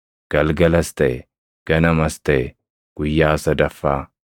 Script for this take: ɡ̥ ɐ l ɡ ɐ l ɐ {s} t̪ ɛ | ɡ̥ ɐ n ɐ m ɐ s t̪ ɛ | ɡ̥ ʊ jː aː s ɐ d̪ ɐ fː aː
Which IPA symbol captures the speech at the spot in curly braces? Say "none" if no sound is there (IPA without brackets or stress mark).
s